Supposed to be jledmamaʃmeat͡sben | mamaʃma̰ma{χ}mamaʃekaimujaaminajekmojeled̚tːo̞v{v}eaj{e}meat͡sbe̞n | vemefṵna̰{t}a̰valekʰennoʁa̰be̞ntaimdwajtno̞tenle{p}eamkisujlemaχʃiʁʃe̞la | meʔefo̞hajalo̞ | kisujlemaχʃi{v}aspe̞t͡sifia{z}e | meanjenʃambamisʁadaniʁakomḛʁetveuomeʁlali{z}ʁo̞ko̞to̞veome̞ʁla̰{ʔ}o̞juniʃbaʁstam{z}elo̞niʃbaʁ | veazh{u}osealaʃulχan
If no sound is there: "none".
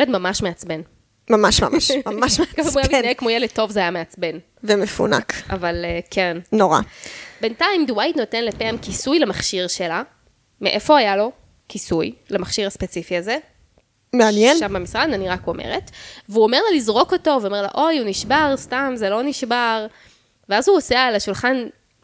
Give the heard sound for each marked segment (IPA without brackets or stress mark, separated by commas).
ʃ, z, a, k, p, ʁ, z, z, ʔ, z, u